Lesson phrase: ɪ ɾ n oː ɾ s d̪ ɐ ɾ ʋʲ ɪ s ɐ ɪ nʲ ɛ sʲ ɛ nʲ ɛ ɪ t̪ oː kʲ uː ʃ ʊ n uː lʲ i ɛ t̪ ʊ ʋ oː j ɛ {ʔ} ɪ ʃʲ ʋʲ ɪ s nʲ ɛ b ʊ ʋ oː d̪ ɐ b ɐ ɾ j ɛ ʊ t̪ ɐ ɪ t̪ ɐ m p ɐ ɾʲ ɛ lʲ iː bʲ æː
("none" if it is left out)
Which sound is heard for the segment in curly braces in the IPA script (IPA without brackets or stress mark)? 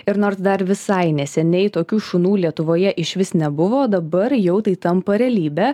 ʔ